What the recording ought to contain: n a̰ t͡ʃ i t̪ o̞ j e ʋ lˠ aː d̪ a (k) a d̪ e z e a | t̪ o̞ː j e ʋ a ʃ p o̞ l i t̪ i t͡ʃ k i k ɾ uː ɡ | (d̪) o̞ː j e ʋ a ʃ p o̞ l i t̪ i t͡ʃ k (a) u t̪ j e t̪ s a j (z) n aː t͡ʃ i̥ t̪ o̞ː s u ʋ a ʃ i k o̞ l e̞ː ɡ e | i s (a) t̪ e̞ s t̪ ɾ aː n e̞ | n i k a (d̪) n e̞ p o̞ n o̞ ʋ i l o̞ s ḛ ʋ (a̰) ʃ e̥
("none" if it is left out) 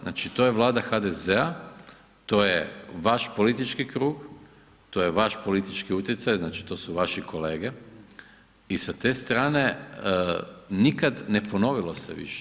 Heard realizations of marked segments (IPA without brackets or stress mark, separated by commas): x, t̪, i, z, a, d̪, ḭ